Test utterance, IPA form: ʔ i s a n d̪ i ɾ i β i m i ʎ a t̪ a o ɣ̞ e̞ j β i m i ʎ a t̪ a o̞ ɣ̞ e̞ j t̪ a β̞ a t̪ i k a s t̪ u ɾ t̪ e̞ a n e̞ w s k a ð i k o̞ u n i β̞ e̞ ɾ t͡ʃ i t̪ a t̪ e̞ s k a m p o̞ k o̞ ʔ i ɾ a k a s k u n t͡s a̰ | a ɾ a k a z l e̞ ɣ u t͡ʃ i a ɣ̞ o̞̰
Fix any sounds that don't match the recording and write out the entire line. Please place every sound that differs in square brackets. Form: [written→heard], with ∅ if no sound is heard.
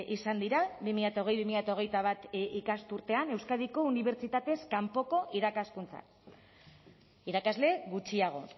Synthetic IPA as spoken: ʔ i s a n d̪ i ɾ [i→a] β i m i ʎ a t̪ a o ɣ̞ e̞ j β i m i ʎ a t̪ a o̞ ɣ̞ e̞ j t̪ a β̞ a t̪ i k a s t̪ u ɾ t̪ e̞ a n e̞ w s k a ð i k o̞ u n i β̞ e̞ ɾ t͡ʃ i t̪ a t̪ e̞ s k a m p o̞ k o̞ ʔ i ɾ a k a s k u n t͡s a̰ | [a→i] ɾ a k a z l e̞ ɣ u t͡ʃ i a ɣ̞ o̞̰